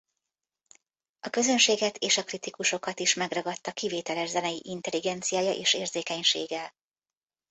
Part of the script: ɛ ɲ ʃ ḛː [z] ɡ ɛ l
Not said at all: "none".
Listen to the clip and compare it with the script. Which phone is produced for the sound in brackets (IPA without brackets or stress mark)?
none